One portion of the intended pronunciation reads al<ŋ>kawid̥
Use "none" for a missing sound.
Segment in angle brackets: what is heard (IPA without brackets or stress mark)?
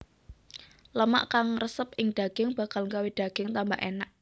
ŋ